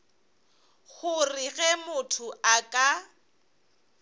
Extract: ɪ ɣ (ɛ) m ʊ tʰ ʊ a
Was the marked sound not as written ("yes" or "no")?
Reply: no